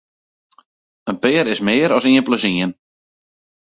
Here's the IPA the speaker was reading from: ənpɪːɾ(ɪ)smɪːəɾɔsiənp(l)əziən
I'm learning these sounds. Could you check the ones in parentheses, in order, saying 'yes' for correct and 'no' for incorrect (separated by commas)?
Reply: yes, yes